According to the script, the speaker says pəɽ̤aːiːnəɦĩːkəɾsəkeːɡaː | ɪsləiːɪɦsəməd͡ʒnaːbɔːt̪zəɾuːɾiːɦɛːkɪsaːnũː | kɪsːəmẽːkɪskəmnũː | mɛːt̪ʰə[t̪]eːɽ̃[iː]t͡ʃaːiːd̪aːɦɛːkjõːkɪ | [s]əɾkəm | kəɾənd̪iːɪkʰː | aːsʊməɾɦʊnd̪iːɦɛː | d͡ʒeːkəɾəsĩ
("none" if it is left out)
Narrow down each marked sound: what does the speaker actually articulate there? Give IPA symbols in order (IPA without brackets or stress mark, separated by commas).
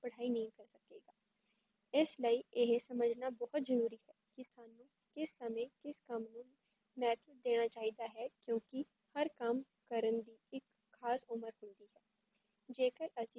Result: d̪, aː, h